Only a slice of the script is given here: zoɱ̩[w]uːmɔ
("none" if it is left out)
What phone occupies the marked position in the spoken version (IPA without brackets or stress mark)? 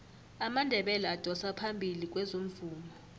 v